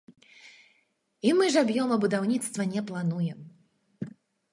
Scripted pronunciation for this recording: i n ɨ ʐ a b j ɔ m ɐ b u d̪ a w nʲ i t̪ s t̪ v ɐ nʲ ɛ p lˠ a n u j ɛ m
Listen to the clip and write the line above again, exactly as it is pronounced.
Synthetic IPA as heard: i m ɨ ʐ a b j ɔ m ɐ b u d̪ a w nʲ i t̪ s t̪ v ɐ nʲ ɛ p lˠ a n u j ɛ m